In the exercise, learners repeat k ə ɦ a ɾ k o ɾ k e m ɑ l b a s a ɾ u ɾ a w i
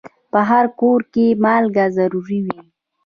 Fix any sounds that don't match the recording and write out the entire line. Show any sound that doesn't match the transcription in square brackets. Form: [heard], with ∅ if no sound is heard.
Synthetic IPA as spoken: [p] ə ɦ a ɾ k o ɾ k e m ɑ l [ɡ] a [z] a ɾ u ɾ [i] w i